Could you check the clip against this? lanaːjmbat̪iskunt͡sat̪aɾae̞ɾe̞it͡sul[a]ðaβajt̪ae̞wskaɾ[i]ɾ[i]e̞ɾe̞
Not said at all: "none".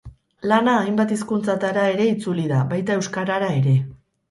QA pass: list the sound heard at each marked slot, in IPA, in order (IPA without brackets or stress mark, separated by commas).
i, a, a